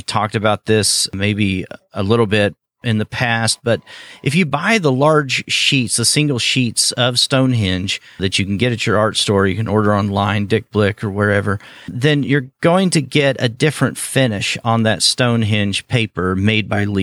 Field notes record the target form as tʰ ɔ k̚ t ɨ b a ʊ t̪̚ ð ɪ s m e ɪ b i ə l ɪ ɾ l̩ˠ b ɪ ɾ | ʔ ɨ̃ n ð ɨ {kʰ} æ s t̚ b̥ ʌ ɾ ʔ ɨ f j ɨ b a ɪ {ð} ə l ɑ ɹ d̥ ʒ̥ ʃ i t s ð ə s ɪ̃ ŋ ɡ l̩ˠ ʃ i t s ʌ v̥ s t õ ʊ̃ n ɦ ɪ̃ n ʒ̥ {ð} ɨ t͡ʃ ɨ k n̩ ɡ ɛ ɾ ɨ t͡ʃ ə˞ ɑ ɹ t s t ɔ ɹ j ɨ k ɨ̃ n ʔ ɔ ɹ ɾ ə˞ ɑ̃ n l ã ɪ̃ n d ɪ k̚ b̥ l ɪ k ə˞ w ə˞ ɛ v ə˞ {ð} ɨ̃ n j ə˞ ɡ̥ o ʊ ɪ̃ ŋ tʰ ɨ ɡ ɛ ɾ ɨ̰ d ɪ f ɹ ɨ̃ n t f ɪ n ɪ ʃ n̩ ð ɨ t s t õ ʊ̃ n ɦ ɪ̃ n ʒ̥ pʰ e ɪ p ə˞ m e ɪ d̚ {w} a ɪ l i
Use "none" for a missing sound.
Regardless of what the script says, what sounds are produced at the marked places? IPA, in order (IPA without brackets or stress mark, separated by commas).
pʰ, ð, ð, ð, b